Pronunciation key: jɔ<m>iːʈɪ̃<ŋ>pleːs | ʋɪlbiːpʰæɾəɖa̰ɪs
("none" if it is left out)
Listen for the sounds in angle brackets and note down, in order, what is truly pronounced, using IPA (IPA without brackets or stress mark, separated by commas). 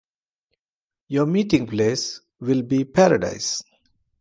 m, ŋ